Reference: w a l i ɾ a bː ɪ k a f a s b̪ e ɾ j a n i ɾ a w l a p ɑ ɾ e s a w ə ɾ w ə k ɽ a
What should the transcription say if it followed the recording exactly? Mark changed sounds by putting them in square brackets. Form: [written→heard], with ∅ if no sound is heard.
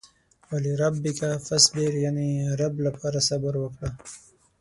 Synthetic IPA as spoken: w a l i ɾ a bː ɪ k a f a s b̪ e ɾ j a n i ɾ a [w→b] l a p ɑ ɾ [e→a] s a [w→b] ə ɾ w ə k ɽ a